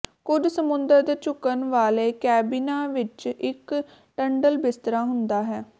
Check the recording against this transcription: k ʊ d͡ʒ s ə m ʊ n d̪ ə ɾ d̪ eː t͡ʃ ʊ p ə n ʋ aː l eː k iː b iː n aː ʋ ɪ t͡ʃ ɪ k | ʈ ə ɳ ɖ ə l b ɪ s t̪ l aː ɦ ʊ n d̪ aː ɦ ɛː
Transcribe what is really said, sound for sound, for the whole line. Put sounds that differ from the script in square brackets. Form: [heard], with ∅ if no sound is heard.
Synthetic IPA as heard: k ʊ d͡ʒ s ə m ʊ n d̪ ə ɾ d̪ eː t͡ʃ ʊ [k] ə n ʋ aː l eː k [ɛː] b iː n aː ʋ ɪ t͡ʃ ɪ k | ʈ ə ɳ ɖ ə l b ɪ s t̪ [ɾ] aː ɦ ʊ n d̪ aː ɦ ɛː